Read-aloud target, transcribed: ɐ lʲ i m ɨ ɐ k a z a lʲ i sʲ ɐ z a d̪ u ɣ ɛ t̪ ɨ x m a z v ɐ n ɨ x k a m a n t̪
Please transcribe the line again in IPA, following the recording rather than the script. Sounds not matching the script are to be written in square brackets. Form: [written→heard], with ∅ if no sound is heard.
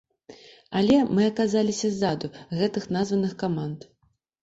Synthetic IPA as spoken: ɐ lʲ [i→ɛ] m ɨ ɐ k a z a lʲ i sʲ ɐ z a d̪ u ɣ ɛ t̪ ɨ x [m→n] a z v ɐ n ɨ x k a m a n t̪